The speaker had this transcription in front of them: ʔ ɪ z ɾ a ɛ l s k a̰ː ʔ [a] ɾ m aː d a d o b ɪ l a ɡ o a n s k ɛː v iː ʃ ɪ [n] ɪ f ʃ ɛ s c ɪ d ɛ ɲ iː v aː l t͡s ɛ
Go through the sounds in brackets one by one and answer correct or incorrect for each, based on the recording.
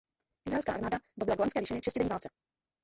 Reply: correct, correct

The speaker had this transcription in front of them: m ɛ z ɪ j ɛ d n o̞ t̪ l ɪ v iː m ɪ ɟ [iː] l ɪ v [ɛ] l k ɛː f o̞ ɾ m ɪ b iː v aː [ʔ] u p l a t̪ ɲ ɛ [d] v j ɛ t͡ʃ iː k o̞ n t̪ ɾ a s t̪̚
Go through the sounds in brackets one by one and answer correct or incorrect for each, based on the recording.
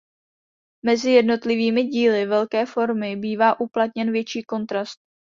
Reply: correct, correct, correct, incorrect

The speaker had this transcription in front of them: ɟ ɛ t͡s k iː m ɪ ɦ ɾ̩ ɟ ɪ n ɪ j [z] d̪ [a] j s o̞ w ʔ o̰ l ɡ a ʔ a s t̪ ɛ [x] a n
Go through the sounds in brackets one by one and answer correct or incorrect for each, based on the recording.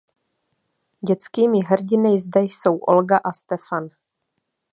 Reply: correct, incorrect, incorrect

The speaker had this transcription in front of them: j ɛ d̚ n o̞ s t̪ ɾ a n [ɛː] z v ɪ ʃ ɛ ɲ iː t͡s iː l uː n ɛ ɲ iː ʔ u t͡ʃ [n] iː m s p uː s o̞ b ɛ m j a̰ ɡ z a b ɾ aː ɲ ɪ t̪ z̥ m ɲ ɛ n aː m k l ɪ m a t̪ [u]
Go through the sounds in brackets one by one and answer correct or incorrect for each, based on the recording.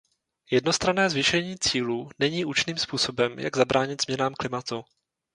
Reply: correct, correct, correct

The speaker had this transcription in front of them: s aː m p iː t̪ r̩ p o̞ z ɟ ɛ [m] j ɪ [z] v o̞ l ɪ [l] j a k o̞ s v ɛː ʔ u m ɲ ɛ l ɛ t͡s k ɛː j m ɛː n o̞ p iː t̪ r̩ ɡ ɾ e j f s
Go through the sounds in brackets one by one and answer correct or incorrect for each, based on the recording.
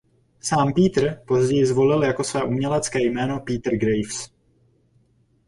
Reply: incorrect, correct, correct

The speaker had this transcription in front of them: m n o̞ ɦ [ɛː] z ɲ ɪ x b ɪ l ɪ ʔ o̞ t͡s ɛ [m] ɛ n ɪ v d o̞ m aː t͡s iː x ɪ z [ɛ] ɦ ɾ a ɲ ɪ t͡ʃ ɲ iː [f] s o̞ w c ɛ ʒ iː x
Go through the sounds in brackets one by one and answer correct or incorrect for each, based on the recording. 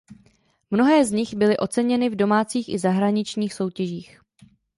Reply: correct, incorrect, incorrect, incorrect

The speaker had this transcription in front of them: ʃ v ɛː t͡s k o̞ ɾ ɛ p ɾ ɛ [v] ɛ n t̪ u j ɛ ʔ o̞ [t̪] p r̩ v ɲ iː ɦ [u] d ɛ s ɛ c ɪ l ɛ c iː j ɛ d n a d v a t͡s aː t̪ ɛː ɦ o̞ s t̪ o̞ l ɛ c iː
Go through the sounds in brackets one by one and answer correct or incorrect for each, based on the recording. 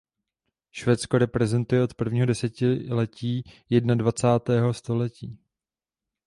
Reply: incorrect, correct, incorrect

